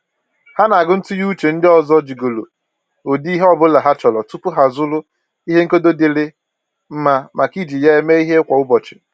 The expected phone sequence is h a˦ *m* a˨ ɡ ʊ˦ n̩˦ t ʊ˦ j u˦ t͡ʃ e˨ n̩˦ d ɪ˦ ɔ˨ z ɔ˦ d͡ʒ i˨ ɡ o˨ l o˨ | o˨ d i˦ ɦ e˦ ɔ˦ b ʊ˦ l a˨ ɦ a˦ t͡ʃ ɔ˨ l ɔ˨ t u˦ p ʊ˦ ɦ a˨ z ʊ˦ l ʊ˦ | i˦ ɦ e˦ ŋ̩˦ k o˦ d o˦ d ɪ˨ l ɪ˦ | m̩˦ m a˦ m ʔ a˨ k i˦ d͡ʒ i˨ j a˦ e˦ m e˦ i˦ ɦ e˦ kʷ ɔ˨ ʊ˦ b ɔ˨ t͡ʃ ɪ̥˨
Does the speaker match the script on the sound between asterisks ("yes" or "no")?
no